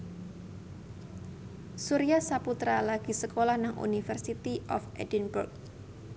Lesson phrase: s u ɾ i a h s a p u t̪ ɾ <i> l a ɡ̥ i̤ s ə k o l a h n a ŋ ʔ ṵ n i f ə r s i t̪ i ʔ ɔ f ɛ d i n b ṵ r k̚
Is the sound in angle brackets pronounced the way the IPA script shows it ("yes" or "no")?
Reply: no